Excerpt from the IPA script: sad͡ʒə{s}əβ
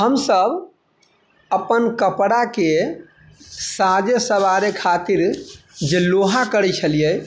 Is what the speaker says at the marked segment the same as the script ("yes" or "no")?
yes